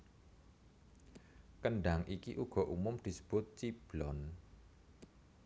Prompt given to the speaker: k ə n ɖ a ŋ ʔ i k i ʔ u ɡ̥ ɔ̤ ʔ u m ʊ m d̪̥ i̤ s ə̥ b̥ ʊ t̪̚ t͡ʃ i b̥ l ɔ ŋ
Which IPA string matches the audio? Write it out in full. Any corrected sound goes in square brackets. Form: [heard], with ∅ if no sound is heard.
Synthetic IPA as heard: k ə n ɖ a ŋ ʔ i k i ʔ u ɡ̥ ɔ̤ ʔ u m ʊ m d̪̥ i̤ s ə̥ b̥ ʊ t̪̚ t͡ʃ i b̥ l ɔ [n]